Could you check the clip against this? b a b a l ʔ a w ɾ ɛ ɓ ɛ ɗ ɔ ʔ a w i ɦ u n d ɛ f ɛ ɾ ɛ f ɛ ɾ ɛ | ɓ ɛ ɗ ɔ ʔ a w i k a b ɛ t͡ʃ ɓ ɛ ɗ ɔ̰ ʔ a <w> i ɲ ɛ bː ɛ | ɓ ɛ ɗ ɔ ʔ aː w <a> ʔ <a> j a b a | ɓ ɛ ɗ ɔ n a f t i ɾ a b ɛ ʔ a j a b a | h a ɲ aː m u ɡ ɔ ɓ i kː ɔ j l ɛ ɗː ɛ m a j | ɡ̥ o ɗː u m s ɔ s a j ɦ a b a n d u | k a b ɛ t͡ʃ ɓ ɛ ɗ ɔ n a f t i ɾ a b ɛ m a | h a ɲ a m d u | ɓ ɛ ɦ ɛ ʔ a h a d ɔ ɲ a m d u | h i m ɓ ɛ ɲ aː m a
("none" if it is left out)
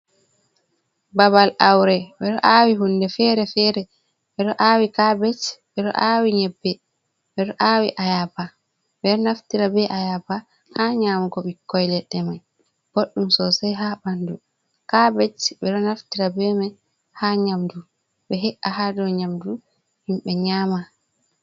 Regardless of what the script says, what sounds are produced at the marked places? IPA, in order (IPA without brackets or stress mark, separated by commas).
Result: w, i, a